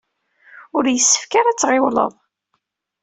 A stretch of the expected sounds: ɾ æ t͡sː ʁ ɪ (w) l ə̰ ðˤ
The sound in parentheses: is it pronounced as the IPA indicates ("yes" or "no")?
yes